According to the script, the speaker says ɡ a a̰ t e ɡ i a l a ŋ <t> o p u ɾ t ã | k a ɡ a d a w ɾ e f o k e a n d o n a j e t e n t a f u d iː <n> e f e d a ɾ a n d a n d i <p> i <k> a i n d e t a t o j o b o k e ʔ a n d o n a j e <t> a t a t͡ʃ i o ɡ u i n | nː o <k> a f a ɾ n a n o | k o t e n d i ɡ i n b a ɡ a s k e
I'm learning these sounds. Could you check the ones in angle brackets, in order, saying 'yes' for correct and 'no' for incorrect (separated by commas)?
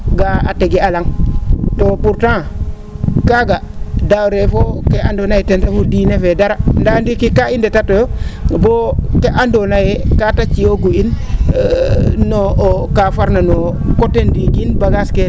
yes, yes, no, yes, no, yes